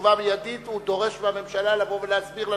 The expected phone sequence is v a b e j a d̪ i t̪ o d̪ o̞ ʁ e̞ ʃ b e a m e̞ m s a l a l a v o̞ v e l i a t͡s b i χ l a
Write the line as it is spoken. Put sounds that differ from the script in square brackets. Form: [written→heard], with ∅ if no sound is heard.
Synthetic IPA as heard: v a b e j a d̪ i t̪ [o→u] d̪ o̞ ʁ e̞ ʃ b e a m e̞ m [s→ʃ] a l a l a v o̞ v e l [i→e] a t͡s b i [χ→ʁ] l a